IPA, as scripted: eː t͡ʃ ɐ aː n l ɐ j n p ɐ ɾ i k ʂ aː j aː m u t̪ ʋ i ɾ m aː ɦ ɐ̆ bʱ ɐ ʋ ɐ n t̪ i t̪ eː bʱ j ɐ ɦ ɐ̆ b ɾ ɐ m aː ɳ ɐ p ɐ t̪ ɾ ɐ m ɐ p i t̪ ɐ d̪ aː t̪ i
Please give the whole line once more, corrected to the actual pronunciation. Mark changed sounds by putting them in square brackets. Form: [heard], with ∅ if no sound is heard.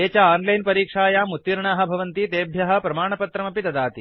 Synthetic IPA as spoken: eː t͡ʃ ɐ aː n l ɐ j n p ɐ ɾ [iː] k ʂ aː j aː m u t̪ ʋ i ɾ [ɳ] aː ɦ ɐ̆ bʱ ɐ ʋ ɐ n t̪ i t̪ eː bʱ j ɐ ɦ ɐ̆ [p] ɾ ɐ m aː ɳ ɐ p ɐ t̪ ɾ ɐ m ɐ p i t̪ ɐ d̪ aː t̪ i